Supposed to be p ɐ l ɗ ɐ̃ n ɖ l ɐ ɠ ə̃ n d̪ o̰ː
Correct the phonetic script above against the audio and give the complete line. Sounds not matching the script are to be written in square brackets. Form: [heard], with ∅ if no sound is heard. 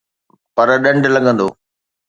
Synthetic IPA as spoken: p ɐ [ɾ] ɗ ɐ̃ [ɳ] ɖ l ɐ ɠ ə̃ n d̪ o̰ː